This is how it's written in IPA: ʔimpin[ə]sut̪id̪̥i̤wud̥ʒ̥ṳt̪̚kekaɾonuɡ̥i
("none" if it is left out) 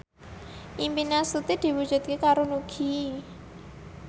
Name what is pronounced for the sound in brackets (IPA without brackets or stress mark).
a